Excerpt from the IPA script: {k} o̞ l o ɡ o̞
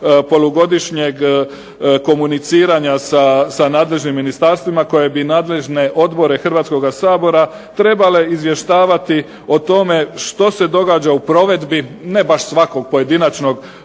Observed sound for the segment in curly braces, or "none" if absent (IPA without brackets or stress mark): p